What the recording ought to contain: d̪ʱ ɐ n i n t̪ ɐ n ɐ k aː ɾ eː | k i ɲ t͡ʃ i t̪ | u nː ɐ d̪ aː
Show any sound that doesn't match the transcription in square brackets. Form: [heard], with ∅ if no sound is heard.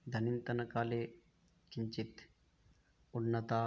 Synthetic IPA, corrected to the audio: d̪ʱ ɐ n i n t̪ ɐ n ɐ k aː [l] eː | k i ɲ t͡ʃ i t̪ | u nː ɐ [t̪] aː